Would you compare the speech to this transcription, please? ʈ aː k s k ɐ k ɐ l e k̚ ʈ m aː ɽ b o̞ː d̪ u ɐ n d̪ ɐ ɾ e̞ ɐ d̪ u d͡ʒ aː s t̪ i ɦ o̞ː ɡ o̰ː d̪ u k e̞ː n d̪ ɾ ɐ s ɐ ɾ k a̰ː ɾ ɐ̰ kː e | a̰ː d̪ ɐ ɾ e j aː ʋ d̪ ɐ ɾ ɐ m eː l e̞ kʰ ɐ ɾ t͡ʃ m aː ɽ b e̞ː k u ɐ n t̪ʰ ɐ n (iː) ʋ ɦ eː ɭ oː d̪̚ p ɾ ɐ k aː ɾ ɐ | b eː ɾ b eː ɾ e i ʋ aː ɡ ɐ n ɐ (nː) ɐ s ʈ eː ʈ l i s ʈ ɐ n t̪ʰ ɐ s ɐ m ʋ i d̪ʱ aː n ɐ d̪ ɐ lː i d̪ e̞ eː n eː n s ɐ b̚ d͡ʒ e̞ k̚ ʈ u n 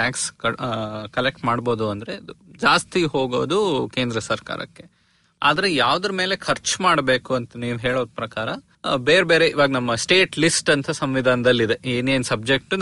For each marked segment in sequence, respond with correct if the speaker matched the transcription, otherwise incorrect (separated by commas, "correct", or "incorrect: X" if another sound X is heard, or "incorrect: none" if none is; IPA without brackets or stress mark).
correct, incorrect: mː